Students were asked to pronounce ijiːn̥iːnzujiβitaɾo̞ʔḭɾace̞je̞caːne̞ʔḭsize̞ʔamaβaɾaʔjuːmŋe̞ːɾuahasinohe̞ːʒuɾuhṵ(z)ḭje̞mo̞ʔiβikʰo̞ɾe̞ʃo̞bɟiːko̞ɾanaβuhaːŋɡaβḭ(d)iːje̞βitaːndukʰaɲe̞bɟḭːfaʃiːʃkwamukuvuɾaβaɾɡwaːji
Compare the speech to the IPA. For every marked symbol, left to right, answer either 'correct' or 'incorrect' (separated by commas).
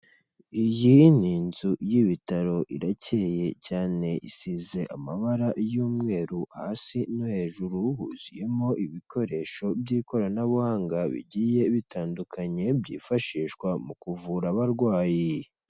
correct, incorrect